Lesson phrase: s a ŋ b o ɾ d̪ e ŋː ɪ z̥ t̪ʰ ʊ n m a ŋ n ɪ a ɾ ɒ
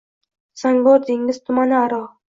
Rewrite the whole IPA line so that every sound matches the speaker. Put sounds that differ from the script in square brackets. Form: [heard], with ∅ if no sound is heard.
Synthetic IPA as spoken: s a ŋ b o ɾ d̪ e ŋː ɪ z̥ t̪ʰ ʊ [∅] m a [∅] n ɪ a ɾ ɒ